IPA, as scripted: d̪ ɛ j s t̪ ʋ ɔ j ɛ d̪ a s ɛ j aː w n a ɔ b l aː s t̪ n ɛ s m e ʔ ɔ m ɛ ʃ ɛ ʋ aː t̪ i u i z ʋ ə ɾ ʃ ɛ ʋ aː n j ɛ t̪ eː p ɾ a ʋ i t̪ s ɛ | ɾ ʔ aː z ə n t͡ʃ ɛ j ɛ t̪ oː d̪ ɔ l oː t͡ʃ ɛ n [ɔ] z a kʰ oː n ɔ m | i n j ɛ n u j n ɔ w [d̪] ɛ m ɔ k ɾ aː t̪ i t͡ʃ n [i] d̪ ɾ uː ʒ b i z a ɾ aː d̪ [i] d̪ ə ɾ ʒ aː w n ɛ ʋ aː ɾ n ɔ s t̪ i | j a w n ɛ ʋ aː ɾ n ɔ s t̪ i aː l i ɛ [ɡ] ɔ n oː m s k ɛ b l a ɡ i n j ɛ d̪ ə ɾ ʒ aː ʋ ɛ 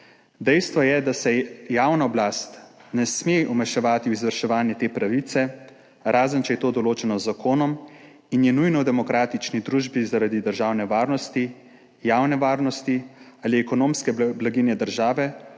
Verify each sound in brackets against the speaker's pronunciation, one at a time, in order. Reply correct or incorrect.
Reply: correct, correct, correct, correct, incorrect: k

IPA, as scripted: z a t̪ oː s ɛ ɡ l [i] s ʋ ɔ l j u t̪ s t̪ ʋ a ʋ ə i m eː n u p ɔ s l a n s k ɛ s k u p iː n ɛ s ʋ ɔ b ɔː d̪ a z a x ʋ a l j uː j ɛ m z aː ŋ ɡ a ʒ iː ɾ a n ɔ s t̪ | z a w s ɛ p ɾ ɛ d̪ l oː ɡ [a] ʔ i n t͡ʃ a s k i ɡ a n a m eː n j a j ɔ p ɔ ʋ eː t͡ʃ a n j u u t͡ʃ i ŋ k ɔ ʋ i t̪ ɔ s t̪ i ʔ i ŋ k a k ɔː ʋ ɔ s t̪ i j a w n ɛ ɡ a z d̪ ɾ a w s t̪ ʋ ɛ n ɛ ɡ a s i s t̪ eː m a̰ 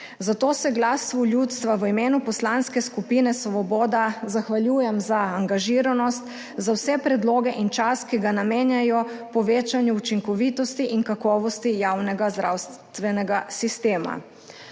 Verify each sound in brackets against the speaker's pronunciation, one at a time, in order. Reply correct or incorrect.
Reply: incorrect: a, incorrect: ɛ

